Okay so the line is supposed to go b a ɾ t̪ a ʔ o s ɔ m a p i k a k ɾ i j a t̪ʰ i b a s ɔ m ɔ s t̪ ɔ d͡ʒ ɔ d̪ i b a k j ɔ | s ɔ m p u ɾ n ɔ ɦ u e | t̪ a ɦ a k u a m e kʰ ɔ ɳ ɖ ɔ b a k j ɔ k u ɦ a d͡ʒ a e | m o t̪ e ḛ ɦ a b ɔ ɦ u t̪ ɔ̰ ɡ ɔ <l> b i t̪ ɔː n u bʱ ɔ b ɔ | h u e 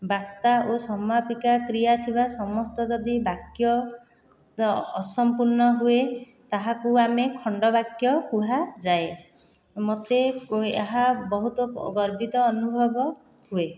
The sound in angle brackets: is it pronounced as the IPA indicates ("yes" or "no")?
no